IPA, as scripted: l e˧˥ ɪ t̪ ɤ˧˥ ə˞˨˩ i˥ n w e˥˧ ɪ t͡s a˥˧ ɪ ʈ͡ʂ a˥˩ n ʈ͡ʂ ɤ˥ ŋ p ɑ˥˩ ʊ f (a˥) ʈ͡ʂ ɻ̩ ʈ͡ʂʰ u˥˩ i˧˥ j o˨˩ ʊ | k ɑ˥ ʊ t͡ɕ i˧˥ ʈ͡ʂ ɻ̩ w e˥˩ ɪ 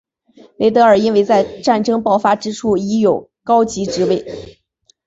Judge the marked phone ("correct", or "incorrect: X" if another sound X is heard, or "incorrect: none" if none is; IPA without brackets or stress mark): correct